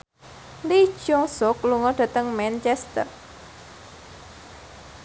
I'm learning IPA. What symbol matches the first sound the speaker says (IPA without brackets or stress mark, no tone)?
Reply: l